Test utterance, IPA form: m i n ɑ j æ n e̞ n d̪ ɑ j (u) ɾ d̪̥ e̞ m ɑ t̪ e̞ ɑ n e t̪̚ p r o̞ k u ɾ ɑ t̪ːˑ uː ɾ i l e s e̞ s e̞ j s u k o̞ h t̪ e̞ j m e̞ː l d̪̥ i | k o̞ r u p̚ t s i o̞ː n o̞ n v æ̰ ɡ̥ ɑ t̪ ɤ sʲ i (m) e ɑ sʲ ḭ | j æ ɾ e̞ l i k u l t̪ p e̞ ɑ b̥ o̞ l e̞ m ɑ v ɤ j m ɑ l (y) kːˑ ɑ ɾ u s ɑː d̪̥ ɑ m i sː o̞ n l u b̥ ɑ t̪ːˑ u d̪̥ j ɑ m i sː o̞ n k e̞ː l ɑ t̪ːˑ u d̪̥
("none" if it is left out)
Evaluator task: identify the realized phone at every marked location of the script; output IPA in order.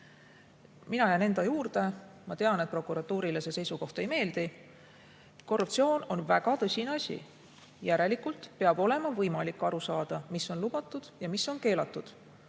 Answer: uː, n, i

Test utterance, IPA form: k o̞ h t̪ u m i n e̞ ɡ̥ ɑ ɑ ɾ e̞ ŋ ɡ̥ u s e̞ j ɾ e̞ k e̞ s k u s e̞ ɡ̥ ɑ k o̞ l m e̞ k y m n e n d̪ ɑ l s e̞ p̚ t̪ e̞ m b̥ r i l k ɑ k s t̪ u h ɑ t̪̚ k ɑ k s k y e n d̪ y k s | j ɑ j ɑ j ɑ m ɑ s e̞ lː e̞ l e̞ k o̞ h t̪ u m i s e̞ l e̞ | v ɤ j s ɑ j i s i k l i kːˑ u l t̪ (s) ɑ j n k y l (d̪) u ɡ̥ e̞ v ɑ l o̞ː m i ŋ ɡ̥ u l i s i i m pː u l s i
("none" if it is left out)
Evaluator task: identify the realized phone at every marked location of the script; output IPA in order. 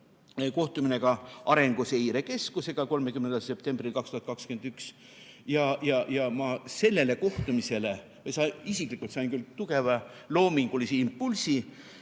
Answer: s, t̪

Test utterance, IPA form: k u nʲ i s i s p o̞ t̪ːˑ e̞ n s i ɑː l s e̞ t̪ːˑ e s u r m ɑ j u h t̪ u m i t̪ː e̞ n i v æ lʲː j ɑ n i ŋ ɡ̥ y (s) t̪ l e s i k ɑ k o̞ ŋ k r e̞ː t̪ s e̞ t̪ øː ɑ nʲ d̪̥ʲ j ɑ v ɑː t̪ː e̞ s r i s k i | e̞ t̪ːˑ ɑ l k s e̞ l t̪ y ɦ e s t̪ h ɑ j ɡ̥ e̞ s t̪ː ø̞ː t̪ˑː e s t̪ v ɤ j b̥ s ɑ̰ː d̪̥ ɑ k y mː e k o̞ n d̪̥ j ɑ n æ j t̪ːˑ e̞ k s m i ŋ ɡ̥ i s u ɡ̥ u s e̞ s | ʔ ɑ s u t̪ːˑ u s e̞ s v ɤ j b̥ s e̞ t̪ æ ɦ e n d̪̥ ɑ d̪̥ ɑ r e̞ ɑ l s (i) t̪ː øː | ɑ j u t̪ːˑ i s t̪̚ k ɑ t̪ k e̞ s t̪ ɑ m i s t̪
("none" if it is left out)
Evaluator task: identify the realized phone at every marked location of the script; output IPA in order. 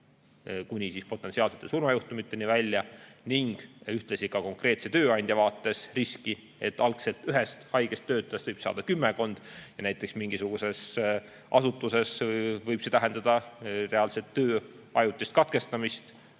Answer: h, e

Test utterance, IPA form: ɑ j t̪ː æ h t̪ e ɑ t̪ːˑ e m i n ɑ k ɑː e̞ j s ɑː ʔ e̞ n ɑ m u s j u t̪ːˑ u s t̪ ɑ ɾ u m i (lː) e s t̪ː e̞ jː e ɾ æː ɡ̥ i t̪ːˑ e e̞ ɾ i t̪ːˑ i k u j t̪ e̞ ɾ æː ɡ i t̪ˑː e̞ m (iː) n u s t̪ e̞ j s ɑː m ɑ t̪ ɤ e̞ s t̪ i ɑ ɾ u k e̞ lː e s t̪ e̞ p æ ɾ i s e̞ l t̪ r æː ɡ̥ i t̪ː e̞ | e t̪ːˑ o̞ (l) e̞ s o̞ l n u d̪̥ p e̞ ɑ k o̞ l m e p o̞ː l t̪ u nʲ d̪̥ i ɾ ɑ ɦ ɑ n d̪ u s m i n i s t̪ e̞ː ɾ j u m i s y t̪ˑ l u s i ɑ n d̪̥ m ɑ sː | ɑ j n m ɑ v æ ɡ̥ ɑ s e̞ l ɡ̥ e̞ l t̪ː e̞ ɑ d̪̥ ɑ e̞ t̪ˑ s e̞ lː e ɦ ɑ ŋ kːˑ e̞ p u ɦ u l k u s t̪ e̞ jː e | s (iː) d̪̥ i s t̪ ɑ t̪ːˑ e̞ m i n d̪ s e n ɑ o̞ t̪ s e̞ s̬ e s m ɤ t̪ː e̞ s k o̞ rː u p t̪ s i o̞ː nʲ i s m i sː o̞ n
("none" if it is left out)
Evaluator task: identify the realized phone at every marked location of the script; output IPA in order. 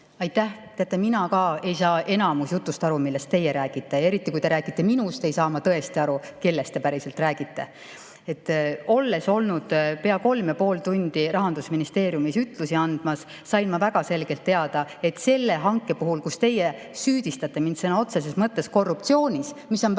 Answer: lː, i, lː, yː

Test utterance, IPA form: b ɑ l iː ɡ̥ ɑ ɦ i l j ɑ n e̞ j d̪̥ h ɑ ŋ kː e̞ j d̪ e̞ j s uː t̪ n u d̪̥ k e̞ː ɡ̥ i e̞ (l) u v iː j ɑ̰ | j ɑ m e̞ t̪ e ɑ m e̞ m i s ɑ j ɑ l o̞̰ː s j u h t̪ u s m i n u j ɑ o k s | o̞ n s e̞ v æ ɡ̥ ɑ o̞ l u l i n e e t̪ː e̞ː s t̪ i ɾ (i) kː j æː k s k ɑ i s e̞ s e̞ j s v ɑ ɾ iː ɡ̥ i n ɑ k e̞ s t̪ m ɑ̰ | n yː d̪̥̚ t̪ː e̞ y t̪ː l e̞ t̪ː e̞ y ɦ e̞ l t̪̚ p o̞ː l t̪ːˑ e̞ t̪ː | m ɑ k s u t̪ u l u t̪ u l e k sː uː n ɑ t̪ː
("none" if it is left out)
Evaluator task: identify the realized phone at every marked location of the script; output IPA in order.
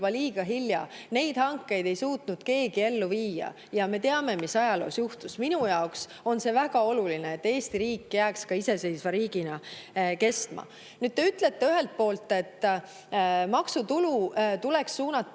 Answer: lː, iː

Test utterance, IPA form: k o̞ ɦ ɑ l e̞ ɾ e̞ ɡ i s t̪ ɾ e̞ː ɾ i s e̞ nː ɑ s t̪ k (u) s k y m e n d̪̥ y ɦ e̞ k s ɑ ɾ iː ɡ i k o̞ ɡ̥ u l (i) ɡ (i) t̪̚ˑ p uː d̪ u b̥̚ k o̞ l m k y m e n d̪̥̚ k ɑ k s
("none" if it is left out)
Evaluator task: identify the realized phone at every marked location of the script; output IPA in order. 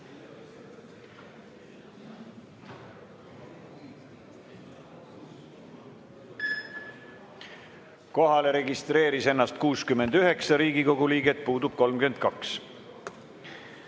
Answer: uː, iː, e

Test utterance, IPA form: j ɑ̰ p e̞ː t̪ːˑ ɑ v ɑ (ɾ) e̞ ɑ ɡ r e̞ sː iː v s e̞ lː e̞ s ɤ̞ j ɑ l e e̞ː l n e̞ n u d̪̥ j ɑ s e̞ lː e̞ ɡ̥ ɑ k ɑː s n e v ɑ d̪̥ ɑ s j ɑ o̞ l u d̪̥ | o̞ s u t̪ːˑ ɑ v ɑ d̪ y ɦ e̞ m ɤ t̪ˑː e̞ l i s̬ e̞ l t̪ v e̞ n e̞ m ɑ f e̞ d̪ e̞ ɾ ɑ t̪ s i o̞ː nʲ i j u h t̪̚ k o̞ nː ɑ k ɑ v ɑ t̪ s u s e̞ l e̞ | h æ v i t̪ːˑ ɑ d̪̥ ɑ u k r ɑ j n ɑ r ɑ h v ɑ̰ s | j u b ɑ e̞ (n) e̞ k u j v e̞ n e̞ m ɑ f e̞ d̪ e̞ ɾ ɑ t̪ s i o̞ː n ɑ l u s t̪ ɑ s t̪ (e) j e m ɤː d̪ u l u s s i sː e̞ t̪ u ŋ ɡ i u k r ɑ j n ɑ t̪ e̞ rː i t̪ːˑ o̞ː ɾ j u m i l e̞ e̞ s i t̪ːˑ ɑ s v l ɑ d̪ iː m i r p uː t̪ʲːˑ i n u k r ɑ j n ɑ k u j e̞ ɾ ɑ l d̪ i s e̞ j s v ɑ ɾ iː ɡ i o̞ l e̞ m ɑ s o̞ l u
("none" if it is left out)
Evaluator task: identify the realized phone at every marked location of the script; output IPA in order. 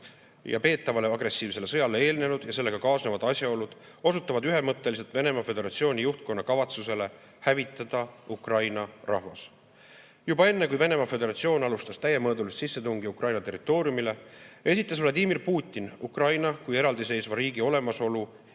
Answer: l, nː, æ

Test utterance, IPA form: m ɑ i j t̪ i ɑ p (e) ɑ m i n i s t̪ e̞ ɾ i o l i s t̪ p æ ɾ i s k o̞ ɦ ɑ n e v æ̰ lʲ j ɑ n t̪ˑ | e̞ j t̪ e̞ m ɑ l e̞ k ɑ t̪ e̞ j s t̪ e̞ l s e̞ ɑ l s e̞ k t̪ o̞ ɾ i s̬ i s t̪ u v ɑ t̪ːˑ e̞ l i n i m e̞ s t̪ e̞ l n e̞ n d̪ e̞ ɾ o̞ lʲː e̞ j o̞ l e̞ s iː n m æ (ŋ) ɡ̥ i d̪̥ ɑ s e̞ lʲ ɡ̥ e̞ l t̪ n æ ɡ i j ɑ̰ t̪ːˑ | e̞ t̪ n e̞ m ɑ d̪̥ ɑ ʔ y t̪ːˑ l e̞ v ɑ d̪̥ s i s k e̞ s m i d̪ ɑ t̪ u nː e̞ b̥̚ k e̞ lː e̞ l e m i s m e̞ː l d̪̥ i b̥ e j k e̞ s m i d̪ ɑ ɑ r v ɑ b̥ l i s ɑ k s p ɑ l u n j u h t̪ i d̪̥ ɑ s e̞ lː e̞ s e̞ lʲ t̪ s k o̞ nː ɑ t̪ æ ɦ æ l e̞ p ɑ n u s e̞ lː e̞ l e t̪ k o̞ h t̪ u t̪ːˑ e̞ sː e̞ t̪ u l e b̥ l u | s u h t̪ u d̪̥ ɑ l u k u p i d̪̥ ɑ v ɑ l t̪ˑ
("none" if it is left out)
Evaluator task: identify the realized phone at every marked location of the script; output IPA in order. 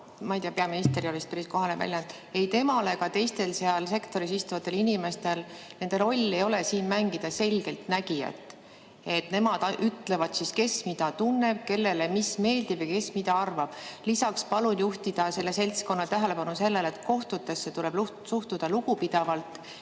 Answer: e, ŋ

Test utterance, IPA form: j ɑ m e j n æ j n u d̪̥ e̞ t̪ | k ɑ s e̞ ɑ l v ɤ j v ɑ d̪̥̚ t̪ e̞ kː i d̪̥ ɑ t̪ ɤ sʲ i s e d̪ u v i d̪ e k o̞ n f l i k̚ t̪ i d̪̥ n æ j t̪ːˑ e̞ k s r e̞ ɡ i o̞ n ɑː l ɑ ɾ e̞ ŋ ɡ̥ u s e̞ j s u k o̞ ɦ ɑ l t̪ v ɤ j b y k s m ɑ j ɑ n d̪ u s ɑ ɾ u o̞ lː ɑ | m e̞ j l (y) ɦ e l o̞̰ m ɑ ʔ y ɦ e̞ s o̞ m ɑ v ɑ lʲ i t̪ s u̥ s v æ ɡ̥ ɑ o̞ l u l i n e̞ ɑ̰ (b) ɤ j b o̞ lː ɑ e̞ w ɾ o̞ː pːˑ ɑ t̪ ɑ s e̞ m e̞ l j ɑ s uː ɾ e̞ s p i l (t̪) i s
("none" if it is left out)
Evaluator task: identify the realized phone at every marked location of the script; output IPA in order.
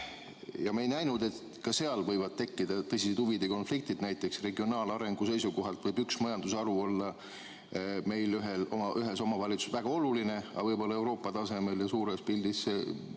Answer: y, v, d̪

